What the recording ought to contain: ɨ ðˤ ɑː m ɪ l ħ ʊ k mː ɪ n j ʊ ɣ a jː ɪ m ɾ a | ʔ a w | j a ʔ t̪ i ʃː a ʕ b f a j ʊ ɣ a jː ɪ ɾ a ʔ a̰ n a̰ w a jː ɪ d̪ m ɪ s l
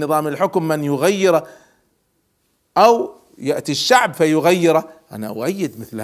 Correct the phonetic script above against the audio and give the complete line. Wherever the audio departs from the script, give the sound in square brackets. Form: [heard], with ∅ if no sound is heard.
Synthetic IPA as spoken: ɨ ðˤ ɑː m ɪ l ħ ʊ k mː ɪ n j ʊ ɣ a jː ɪ [∅] ɾ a | ʔ a w | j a ʔ t̪ i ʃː a ʕ b f a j ʊ ɣ a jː ɪ ɾ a ʔ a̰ n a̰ w a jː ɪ d̪ m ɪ [θ] l